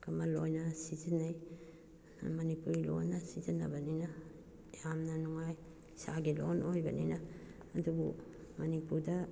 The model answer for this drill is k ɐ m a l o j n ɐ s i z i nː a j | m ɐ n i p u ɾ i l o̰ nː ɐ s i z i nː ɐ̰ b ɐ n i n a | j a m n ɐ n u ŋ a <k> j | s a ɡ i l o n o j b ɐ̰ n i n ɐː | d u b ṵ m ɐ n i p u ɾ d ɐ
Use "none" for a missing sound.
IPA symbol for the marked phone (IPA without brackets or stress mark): none